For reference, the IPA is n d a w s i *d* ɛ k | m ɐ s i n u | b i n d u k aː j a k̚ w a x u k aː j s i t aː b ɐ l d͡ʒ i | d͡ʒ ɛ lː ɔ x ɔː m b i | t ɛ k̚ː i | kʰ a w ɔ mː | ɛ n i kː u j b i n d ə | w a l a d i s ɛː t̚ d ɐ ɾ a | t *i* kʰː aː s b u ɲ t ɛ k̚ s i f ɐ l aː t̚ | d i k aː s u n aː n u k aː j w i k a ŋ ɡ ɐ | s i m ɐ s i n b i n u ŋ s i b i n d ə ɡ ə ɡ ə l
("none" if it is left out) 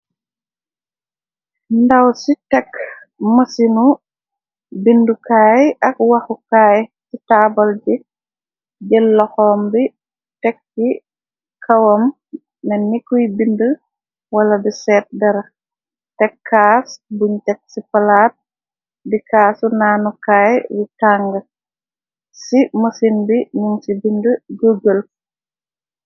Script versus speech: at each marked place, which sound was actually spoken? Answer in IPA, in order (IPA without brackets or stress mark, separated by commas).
t, ɛ